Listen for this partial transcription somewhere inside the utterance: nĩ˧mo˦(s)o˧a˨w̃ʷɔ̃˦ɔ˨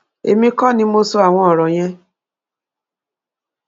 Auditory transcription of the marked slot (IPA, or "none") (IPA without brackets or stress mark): s